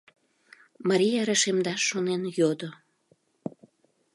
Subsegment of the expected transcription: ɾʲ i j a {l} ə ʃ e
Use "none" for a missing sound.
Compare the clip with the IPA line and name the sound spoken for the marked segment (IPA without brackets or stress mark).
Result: ɾ